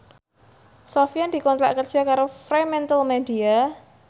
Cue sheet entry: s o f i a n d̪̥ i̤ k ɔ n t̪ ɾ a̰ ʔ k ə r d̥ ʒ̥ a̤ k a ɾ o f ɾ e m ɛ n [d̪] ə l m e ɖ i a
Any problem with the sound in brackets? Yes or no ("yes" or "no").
yes